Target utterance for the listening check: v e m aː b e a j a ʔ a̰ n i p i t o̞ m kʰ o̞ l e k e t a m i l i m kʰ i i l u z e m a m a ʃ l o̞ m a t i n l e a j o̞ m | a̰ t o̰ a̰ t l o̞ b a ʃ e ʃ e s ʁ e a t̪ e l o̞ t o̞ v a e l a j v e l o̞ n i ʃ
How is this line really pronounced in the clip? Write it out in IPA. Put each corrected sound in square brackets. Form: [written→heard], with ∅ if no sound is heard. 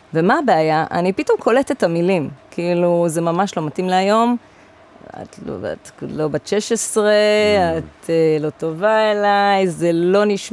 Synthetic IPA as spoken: v e m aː b e a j a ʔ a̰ n i p i t o̞ m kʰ o̞ l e [k→t] e t a m i l i m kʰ i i l u z e m a m a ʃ l o̞ m a t i [n→m] l e a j o̞ m | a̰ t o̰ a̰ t l o̞ b a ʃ e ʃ e s ʁ e a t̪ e l o̞ t o̞ v a e l a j [v→z] e l o̞ n i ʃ